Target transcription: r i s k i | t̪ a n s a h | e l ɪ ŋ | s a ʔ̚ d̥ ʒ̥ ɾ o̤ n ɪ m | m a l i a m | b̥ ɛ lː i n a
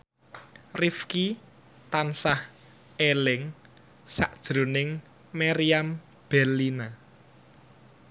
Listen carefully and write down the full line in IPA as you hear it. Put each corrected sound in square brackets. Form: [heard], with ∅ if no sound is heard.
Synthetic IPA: r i [f] k i | t̪ a n s a h | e l ɪ ŋ | s a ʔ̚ d̥ ʒ̥ ɾ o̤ n ɪ [ŋ] | m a [ɾ] i a m | b̥ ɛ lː i n a

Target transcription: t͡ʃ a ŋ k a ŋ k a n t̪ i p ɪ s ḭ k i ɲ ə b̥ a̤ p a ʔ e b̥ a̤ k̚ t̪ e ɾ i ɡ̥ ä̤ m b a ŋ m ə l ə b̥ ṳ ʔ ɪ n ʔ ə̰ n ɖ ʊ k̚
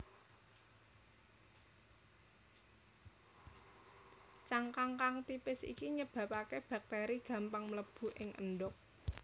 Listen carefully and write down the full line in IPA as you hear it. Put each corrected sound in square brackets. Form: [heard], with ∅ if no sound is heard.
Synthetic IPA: t͡ʃ a ŋ k a ŋ k a [ŋ] t̪ i p ɪ s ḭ k i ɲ ə b̥ a̤ p a [k] e b̥ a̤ k̚ t̪ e ɾ i ɡ̥ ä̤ m [p] a ŋ m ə l ə b̥ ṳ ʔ ɪ [ŋ] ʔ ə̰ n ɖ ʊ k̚

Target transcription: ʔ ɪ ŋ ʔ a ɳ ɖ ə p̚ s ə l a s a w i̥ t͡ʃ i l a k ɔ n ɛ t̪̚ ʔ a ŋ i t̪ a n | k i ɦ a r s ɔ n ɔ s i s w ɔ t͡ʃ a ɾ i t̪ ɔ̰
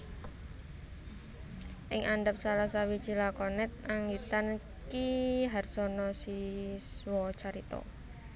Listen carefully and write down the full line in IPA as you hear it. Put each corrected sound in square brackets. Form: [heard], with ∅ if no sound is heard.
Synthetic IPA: ʔ ɪ ŋ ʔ a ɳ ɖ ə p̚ s [a] l a s a w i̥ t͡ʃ i l a k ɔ n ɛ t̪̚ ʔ a ŋ i t̪ a n | k i ɦ a r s ɔ n ɔ s i s w ɔ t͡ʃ a ɾ i t̪ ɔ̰

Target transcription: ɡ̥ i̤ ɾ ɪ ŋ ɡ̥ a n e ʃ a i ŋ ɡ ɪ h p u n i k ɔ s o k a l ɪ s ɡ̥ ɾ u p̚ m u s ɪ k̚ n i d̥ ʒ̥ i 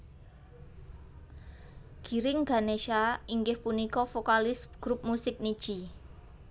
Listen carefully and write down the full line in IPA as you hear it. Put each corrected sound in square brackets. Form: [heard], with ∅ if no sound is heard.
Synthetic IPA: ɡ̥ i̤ ɾ ɪ ŋ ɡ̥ a n e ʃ a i ŋ ɡ ɪ h p u n i k ɔ [f] o k a l ɪ s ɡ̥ ɾ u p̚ m u s ɪ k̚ n i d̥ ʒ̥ i

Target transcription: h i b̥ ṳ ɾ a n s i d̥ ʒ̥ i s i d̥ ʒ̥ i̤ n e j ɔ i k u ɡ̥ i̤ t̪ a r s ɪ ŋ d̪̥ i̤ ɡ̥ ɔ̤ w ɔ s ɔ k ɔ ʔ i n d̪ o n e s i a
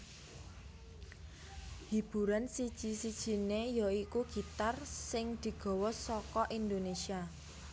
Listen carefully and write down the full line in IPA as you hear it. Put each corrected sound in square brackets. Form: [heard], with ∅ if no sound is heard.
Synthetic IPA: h i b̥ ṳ ɾ a n s i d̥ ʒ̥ i s i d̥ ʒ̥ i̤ n e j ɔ i k u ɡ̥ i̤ t̪ a r s ɪ ŋ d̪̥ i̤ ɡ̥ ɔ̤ w ɔ s ɔ k ɔ ʔ i n d̪ o n e s i a

